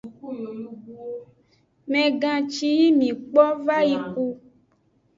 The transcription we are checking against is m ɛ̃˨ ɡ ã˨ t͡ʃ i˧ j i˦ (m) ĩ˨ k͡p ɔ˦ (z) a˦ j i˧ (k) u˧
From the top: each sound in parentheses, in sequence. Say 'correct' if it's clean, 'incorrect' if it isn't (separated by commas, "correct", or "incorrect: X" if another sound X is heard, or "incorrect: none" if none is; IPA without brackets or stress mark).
correct, incorrect: v, correct